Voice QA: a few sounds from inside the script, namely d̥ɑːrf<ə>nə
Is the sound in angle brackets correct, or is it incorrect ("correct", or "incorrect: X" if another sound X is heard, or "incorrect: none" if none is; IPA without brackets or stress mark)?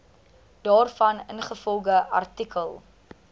incorrect: ɐ